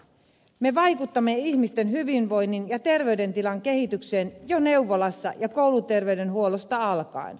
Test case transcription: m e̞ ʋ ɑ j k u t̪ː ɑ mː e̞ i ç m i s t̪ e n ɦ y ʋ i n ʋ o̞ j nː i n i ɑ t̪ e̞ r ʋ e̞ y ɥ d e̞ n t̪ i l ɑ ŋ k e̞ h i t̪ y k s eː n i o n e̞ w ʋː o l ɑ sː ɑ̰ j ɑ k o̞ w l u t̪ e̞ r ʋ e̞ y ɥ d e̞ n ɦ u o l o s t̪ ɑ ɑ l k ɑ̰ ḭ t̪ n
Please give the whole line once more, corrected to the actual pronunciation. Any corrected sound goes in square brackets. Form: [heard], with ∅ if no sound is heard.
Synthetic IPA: m e̞ ʋ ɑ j k u t̪ː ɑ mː e̞ i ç m i s t̪ e n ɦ y ʋ i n ʋ o̞ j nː i n [j] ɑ t̪ e̞ r ʋ e̞ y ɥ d e̞ n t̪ i l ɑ ŋ k e̞ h i t̪ y k s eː n [j] o n e̞ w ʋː o l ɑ sː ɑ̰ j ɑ k o̞ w l u t̪ e̞ r ʋ e̞ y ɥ d e̞ n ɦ u o l o s t̪ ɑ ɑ l k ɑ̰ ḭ [∅] n